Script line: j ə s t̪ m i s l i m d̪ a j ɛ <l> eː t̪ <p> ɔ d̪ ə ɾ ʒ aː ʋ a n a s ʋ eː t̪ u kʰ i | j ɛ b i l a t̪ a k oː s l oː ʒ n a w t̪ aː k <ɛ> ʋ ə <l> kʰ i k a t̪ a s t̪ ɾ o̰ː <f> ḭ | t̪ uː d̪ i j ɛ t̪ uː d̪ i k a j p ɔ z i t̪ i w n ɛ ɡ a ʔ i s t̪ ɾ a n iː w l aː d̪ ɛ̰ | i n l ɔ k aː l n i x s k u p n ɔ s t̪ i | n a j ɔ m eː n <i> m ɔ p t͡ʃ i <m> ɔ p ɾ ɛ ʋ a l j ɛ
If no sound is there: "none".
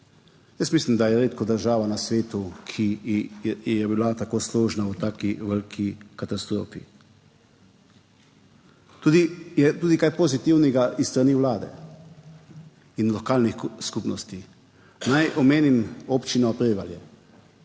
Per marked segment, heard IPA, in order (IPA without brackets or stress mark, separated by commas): ɾ, k, i, l, f, i, n